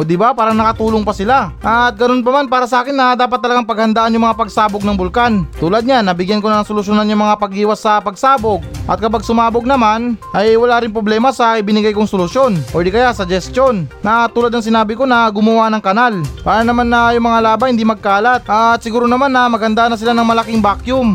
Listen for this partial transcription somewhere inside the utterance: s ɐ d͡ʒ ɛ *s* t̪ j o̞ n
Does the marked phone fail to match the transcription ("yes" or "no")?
no